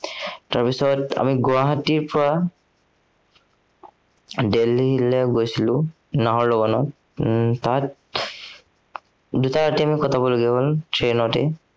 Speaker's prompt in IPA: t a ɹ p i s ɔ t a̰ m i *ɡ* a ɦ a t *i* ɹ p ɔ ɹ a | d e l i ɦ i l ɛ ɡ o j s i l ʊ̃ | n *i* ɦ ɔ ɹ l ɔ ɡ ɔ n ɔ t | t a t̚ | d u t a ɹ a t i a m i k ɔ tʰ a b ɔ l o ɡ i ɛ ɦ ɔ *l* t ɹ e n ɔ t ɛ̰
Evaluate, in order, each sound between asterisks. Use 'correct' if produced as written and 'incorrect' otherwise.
correct, correct, incorrect: a, correct

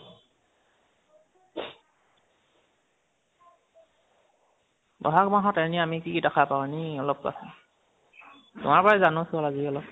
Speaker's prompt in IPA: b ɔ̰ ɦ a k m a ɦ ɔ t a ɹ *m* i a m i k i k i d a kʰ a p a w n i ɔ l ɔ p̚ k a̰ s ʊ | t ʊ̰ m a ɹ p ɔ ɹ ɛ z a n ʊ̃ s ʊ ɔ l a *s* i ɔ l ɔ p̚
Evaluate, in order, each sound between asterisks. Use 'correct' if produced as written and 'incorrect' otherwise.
incorrect: n, incorrect: z

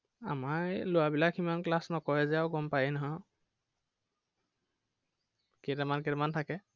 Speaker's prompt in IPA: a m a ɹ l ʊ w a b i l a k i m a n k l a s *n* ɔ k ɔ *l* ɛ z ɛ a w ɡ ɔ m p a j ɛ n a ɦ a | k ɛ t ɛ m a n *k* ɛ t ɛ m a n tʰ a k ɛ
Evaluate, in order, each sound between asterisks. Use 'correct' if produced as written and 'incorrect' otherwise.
correct, incorrect: ɹ, correct

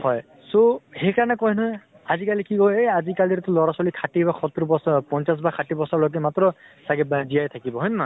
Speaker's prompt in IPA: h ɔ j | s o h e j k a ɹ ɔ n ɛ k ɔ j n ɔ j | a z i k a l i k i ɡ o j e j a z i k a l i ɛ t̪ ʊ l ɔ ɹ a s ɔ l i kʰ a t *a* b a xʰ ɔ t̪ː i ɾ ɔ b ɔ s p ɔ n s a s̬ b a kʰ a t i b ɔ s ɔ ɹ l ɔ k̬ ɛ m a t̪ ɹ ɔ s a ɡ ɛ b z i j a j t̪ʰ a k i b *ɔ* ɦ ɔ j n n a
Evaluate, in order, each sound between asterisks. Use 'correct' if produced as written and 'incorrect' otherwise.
incorrect: i, correct

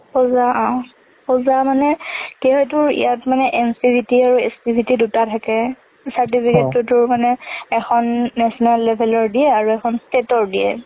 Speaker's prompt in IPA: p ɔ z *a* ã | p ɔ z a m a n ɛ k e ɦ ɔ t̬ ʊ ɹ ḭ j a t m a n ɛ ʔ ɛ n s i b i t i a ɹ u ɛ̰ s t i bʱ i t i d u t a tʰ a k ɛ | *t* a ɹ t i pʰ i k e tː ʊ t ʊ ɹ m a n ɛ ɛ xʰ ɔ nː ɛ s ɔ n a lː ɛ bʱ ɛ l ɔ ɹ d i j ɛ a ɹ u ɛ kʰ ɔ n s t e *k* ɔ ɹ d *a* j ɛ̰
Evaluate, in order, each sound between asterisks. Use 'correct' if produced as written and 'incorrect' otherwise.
correct, incorrect: s, incorrect: t, incorrect: i

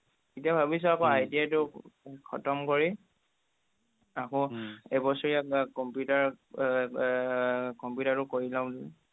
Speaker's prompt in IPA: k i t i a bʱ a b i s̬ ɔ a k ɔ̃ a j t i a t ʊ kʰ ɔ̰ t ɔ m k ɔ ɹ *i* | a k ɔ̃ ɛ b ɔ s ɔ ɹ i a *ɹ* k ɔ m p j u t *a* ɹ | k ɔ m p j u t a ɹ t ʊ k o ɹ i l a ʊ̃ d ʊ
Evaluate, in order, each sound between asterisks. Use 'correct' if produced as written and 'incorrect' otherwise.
correct, incorrect: none, correct

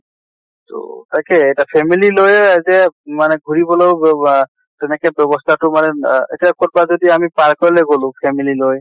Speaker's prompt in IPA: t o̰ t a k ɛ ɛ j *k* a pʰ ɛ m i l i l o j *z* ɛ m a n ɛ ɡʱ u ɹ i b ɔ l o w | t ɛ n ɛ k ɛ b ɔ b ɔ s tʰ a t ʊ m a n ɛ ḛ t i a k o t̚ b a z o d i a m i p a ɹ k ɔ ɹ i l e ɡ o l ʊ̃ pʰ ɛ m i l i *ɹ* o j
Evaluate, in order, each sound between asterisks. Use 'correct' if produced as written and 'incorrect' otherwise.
incorrect: t, correct, incorrect: l

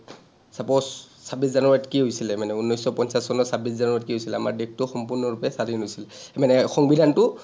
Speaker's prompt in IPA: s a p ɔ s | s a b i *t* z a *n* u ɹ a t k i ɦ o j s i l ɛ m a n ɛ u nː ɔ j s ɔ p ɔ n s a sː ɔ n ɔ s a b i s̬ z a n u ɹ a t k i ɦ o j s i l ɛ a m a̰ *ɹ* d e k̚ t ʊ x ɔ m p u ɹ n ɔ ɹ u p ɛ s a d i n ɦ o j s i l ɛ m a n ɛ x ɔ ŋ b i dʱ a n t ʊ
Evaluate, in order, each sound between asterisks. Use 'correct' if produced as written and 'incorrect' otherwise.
incorrect: s, correct, correct

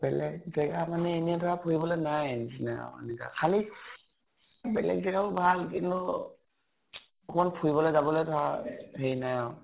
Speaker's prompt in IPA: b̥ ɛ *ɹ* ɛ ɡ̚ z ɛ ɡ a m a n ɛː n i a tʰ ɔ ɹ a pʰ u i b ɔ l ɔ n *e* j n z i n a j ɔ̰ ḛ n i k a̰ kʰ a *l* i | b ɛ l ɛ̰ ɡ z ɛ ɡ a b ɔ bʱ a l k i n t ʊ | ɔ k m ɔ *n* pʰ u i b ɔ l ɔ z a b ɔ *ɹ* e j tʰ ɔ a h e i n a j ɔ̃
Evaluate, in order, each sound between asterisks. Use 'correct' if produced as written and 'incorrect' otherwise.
incorrect: l, incorrect: a, correct, correct, incorrect: l

